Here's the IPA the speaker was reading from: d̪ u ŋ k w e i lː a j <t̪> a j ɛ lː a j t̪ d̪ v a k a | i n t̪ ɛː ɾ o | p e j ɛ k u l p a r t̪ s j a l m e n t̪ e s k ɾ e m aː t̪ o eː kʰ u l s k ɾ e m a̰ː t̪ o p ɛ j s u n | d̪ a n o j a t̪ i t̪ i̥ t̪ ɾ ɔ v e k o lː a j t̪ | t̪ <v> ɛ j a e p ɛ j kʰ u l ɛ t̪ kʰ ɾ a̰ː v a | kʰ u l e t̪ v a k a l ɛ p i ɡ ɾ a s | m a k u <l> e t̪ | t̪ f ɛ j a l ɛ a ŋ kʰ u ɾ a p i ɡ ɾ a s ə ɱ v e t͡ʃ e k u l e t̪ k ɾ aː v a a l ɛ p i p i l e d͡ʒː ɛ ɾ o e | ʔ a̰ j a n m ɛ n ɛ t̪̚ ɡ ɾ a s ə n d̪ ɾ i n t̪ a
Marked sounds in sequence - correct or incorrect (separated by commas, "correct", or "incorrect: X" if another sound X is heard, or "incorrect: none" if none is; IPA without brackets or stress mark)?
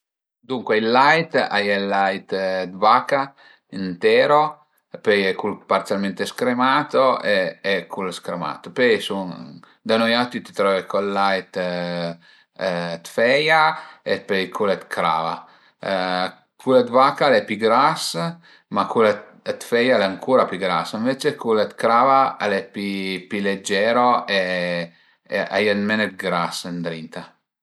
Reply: correct, incorrect: f, correct